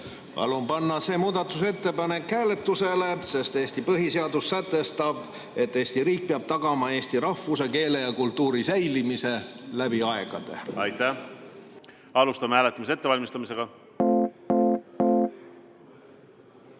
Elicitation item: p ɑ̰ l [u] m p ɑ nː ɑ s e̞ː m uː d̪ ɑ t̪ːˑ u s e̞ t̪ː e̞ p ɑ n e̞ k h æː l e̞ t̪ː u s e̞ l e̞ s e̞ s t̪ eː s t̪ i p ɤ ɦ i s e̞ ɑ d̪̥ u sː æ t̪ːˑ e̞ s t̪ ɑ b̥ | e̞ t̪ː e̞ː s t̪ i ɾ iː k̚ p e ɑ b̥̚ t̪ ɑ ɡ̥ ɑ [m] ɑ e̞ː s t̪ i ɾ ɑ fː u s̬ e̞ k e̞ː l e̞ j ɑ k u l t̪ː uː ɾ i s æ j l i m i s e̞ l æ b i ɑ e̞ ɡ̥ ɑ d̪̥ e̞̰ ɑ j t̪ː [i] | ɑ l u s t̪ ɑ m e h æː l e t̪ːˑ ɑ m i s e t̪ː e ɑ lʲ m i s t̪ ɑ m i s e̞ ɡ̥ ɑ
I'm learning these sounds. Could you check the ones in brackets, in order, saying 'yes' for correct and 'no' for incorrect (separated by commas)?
yes, yes, no